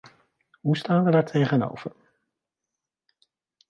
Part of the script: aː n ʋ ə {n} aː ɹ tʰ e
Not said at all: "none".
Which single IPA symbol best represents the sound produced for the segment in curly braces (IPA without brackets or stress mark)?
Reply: d